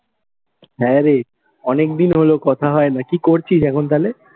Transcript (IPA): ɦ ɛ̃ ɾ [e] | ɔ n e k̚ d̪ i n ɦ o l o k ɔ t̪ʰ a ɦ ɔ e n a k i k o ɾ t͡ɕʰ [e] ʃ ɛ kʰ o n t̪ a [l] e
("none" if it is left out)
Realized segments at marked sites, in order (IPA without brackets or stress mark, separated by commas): e, i, l